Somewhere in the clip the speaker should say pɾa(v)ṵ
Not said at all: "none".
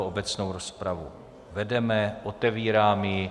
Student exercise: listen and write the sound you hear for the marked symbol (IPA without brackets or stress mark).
v